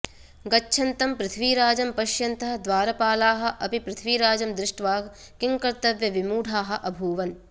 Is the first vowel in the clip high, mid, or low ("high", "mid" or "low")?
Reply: low